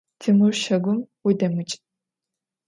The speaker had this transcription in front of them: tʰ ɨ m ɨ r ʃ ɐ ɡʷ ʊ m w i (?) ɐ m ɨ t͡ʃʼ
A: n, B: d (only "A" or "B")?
B